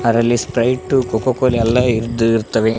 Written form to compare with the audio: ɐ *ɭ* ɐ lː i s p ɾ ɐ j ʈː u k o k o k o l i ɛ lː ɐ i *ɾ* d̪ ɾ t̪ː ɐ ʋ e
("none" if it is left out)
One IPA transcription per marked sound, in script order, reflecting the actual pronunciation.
ɾ, ɾ

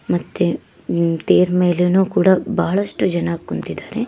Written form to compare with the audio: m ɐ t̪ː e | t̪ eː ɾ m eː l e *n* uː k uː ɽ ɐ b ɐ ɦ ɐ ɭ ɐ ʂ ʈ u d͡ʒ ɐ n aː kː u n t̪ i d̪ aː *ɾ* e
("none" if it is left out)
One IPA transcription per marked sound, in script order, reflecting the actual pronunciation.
n, ɾ

